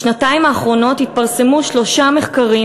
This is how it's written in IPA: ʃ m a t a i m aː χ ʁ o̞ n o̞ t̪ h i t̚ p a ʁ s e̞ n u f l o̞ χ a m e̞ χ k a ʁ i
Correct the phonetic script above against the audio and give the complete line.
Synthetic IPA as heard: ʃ n a t a i m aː χ ʁ o̞ n o̞ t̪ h i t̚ p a ʁ s e̞ m u ʃ l o̞ ʃ a m e̞ χ k a ʁ i